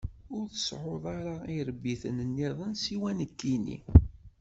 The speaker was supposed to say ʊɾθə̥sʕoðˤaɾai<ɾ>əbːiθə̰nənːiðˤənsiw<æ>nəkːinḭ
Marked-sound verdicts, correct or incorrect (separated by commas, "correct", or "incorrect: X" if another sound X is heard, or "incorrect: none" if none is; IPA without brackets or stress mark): correct, correct